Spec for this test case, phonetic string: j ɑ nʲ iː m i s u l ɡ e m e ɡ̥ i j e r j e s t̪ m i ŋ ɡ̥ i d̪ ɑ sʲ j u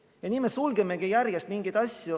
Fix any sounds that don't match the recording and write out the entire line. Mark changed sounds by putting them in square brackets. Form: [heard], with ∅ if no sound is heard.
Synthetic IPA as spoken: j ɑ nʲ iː m [e] s u l ɡ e m e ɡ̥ i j [æ] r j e s t̪ m i ŋ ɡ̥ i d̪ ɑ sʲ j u